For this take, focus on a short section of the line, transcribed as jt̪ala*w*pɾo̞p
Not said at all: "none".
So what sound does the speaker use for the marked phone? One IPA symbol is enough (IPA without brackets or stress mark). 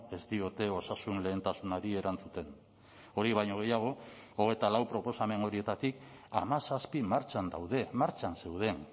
w